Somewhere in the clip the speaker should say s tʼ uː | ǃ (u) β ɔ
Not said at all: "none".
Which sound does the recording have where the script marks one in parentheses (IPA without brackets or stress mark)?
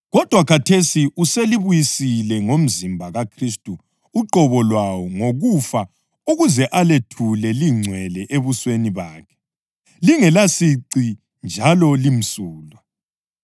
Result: ɔ